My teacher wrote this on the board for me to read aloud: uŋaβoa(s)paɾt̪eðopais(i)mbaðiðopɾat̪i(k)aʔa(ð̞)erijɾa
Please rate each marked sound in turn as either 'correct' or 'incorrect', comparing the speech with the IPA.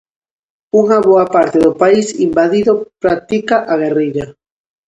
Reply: incorrect: none, correct, correct, incorrect: ɣ̞

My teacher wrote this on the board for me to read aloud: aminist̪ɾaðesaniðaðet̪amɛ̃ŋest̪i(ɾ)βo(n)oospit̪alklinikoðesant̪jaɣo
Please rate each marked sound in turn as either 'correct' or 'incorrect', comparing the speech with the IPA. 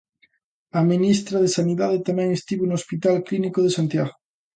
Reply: incorrect: none, correct

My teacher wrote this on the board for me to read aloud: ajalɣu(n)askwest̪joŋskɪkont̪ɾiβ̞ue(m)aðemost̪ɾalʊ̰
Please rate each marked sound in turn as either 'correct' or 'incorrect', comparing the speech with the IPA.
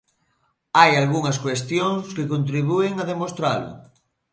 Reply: incorrect: ŋ, incorrect: ŋ

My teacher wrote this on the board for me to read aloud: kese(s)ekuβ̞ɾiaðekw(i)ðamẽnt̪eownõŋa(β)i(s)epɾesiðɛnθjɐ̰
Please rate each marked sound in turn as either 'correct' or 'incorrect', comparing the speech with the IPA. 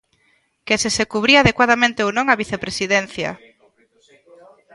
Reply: correct, incorrect: a, correct, incorrect: θ

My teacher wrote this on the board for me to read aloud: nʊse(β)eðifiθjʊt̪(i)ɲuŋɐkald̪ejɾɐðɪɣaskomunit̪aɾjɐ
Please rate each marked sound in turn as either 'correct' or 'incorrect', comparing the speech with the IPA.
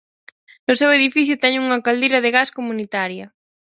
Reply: incorrect: w, incorrect: ɛ

